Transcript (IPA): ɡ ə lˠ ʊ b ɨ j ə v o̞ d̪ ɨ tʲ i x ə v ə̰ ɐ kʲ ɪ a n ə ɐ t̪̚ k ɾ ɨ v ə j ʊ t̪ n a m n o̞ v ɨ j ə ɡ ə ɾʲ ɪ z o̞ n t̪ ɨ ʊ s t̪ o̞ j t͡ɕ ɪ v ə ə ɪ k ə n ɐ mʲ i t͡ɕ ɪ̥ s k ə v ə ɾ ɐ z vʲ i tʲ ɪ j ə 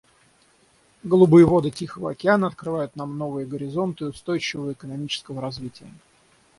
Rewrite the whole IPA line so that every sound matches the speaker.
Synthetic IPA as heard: ɡ ə lˠ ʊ b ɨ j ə v o̞ d̪ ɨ tʲ i x ə v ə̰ ɐ kʲ ɪ a n ə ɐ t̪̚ k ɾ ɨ v a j ʊ t̪ n a m n o̞ v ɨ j ə ɡ ə ɾʲ ɪ z o̞ n t̪ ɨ ʊ s t̪ o̞ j t͡ɕ ɪ v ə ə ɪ k ə n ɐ mʲ i t͡ɕ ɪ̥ s k ə v ə ɾ ɐ z vʲ i tʲ ɪ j ə